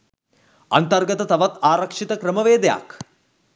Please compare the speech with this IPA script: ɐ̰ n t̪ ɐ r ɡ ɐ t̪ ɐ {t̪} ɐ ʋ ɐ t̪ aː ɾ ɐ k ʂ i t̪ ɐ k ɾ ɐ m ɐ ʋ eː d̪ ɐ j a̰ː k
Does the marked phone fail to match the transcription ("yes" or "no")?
no